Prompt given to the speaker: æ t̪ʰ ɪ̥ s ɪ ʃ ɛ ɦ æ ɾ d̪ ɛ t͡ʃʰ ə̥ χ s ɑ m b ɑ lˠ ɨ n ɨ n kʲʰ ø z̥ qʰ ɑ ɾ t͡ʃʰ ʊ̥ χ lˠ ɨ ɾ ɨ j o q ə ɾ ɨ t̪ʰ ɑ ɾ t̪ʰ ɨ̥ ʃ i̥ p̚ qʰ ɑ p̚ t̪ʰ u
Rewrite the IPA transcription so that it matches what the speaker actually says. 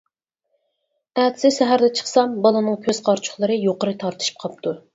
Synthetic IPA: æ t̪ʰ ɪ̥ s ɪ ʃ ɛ ɦ æ ɾ d̪ ɛ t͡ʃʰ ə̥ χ s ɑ m b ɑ lˠ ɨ n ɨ ŋ kʲʰ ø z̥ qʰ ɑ ɾ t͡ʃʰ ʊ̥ χ lˠ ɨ ɾ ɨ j o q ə ɾ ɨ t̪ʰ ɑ ɾ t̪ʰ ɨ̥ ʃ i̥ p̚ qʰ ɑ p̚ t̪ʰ u